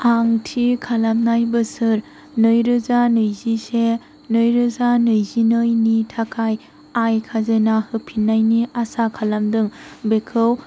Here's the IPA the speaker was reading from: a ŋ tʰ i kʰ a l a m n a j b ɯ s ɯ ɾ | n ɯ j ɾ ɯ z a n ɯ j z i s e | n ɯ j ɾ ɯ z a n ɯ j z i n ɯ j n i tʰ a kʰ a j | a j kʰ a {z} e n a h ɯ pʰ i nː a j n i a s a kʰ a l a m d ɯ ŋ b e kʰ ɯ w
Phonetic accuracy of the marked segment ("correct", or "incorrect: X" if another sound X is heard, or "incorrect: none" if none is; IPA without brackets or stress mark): correct